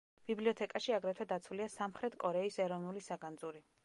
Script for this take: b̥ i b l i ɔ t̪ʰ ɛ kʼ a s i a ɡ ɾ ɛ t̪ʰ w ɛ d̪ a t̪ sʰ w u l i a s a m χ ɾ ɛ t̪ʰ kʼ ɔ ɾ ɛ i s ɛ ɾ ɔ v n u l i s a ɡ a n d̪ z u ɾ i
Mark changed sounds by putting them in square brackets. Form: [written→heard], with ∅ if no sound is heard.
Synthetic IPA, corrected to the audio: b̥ i b l i ɔ t̪ʰ ɛ kʼ a [s→ʃ] i a ɡ ɾ ɛ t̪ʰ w ɛ d̪ a t̪ sʰ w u l i a s a m χ ɾ ɛ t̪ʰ kʼ ɔ ɾ ɛ i s ɛ ɾ ɔ v n u l i s a ɡ a n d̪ z u ɾ i